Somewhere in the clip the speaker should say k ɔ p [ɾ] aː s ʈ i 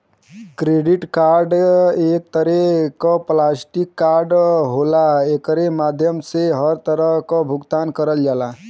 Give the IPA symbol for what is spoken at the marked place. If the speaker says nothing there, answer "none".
l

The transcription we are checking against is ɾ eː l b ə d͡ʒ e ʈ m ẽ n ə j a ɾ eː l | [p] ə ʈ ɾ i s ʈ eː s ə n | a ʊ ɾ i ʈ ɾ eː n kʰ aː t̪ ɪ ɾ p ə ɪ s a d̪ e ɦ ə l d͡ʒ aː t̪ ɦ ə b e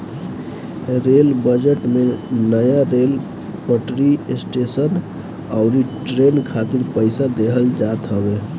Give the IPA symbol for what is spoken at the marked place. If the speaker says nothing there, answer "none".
p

